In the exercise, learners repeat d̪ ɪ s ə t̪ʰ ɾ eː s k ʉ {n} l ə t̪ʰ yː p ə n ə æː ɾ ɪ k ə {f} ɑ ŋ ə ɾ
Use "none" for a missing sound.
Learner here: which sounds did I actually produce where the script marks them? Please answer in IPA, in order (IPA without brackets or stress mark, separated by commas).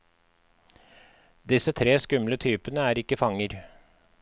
m, f